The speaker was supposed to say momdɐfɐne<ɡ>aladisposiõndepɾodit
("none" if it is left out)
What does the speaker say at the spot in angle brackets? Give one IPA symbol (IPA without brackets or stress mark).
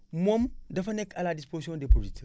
k